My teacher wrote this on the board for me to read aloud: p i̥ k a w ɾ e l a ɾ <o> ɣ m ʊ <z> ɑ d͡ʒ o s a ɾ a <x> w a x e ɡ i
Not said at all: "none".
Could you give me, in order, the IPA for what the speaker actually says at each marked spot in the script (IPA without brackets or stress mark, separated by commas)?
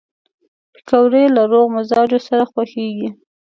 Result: o, z, x